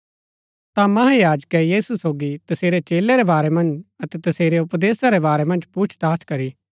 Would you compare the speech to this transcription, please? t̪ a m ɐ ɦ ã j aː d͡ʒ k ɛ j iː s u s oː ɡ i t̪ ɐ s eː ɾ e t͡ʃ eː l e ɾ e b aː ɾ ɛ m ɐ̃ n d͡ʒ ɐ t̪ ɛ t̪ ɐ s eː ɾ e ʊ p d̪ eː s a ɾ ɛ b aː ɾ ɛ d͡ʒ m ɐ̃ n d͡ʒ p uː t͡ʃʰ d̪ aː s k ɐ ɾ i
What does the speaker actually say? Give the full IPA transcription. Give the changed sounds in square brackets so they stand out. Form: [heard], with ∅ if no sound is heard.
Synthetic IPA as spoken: t̪ a m ɐ ɦ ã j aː d͡ʒ k ɛ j iː s u s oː ɡ i t̪ ɐ s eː ɾ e t͡ʃ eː l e ɾ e b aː ɾ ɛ m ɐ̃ n d͡ʒ ɐ t̪ ɛ t̪ ɐ s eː ɾ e ʊ p d̪ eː s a ɾ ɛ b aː ɾ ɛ [∅] m ɐ̃ n d͡ʒ p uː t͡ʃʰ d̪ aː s k ɐ ɾ i